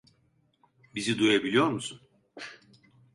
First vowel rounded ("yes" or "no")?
no